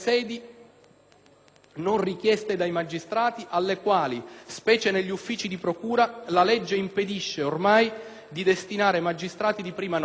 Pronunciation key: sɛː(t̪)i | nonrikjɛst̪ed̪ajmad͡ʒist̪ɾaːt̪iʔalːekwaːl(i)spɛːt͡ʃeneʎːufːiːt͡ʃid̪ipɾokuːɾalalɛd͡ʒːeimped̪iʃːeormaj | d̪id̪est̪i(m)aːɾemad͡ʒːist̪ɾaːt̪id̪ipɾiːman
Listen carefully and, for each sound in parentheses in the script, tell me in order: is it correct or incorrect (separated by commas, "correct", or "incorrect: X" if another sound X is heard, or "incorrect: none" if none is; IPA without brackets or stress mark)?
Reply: incorrect: d̪, correct, incorrect: n